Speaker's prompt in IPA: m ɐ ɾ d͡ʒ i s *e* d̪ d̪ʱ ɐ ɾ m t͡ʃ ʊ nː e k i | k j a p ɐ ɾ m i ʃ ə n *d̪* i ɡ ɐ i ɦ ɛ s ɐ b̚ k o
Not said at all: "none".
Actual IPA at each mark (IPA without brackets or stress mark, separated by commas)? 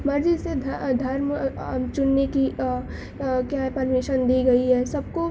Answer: e, d̪